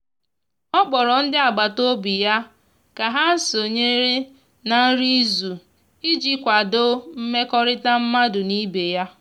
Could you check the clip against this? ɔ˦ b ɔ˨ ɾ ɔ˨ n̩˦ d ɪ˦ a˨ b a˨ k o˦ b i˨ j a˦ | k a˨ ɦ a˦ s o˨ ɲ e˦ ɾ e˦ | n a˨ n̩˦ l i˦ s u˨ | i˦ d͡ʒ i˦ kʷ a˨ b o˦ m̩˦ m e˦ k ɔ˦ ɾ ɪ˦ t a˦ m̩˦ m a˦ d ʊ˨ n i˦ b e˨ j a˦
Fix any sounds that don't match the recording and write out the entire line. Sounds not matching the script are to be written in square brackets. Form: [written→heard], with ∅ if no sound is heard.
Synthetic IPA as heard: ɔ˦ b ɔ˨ ɾ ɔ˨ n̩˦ d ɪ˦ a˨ [b→ɡ͡b] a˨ [k→t] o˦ b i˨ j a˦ | k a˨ ɦ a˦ s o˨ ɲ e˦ ɾ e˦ | n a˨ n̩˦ [l→ɾ] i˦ [s→z] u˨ | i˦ d͡ʒ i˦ kʷ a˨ [b→d] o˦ m̩˦ m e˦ k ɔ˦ ɾ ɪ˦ t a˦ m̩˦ m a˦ d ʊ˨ n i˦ b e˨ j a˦